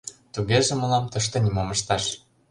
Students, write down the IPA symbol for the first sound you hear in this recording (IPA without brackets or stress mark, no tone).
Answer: t̪